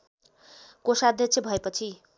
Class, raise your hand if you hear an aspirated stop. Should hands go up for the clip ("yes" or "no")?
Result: yes